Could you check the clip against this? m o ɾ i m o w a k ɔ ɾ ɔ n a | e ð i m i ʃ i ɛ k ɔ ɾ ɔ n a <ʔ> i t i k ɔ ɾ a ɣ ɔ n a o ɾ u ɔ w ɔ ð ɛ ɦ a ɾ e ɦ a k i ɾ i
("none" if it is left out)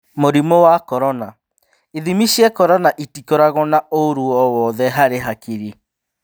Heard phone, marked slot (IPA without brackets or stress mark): ʔ